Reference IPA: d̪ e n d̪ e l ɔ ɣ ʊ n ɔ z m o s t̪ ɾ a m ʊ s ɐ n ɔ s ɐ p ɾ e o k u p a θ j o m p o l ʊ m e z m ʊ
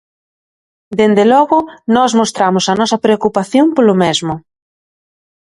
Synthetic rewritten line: d̪ e n d̪ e l ɔ ɣ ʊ n ɔ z m o s t̪ ɾ a m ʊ s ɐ n ɔ s ɐ p ɾ e o k u p a θ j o m p o l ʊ m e z m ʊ